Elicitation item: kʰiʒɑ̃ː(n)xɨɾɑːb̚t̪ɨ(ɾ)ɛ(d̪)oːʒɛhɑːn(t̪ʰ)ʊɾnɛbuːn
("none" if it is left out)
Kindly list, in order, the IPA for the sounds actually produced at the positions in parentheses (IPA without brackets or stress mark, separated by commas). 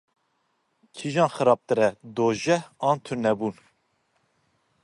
n, ɾ, d̪, t̪ʰ